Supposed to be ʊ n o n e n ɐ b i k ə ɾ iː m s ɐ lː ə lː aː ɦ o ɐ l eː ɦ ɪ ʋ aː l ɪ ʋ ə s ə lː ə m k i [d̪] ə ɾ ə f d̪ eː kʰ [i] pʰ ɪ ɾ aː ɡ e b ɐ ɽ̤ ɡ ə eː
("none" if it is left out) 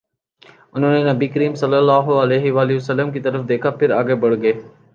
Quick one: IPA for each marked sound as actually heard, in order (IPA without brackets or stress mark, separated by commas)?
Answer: t̪, a